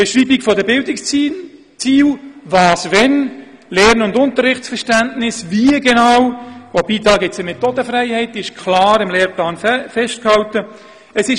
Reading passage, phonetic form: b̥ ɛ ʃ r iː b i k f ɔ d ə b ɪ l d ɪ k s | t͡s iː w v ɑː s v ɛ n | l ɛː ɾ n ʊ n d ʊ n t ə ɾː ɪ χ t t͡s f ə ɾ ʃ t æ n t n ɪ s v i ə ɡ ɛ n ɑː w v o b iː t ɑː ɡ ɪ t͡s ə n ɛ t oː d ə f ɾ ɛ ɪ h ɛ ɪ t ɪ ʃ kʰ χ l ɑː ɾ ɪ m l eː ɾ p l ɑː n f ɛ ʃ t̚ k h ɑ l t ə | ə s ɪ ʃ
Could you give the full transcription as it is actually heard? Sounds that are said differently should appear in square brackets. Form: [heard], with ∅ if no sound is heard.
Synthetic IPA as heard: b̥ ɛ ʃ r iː b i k f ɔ d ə b ɪ l d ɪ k s | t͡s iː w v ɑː s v ɛ n | l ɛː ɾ n ʊ n d ʊ n t ə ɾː ɪ χ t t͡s f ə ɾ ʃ t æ n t n ɪ s v i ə ɡ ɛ n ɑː w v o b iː t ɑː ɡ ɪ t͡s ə [m] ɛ t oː d ə f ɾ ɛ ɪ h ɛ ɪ t ɪ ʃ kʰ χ l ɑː ɾ ɪ m l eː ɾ p l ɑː n f ɛ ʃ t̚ k h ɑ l t ə | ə s ɪ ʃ